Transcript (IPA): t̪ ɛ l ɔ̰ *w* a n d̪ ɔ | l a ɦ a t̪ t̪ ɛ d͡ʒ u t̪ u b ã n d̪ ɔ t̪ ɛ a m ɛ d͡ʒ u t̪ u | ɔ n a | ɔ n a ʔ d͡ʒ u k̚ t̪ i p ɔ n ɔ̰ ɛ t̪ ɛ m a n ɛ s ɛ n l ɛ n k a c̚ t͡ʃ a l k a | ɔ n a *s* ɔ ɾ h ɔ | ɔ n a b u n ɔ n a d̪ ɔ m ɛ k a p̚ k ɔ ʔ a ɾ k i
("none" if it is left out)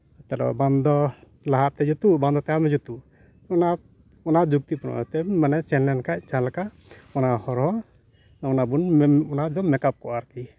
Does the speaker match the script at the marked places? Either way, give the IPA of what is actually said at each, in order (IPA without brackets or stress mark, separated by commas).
b, h